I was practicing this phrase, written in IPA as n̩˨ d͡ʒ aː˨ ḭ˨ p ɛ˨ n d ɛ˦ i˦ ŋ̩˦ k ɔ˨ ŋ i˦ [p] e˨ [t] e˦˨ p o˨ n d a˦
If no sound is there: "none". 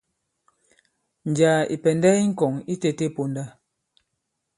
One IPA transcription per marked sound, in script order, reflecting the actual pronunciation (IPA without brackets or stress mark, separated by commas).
t, t